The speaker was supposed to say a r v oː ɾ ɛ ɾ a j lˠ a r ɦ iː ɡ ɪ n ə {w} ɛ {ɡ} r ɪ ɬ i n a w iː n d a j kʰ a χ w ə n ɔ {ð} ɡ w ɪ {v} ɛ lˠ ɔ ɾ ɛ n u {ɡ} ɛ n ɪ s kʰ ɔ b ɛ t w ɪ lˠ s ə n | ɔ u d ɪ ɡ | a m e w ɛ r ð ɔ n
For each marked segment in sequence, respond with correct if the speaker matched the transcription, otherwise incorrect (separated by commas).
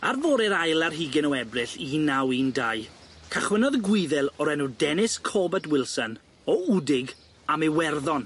correct, incorrect, correct, incorrect, incorrect